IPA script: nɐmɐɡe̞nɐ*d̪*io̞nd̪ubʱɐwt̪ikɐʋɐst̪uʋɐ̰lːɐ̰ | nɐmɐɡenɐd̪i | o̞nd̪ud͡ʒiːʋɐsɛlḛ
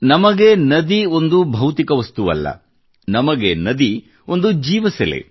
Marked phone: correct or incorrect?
correct